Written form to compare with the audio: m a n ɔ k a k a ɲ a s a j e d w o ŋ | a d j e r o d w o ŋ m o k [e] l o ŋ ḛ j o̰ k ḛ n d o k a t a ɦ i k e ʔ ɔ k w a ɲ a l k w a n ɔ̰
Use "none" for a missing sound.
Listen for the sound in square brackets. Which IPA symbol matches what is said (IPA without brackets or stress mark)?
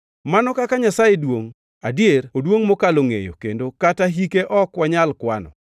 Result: a